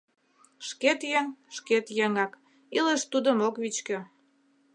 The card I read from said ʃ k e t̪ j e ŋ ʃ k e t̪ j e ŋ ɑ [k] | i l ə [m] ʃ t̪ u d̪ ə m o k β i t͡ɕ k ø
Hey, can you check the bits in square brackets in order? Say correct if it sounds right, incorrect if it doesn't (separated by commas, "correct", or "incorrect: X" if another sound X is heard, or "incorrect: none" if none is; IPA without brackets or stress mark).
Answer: correct, incorrect: none